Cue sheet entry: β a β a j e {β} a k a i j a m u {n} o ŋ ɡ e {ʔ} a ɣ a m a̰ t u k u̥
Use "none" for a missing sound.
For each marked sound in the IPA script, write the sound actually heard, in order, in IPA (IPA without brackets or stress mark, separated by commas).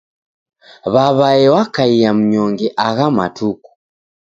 w, ɲ, ʔ